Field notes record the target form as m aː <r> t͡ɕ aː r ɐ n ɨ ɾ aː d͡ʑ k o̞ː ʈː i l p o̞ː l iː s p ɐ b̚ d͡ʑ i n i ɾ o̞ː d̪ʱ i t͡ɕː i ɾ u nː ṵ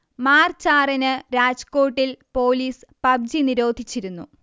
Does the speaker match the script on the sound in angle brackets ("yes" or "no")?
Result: yes